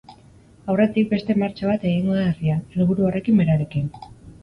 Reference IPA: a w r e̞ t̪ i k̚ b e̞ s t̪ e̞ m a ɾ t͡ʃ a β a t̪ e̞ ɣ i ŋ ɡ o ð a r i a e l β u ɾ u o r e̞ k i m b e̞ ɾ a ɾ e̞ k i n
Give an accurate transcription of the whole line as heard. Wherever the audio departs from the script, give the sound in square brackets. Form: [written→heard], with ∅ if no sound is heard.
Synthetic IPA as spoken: a w r e̞ t̪ i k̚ b e̞ s t̪ e̞ m a ɾ t͡ʃ a β a t̪ e̞ ɣ i ŋ ɡ o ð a r i a e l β u ɾ u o r e̞ k i m b e̞ ɾ a ɾ e̞ k i n